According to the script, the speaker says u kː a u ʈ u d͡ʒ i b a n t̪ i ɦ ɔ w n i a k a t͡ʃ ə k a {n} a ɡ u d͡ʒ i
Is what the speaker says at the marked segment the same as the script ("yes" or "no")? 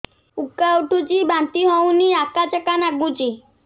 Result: yes